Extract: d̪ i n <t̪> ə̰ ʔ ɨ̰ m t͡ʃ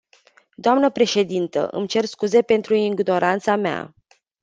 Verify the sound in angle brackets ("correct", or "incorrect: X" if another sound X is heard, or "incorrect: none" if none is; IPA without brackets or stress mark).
correct